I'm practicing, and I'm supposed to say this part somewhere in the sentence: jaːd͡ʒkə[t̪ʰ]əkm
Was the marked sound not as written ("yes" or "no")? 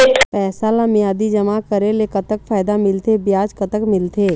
yes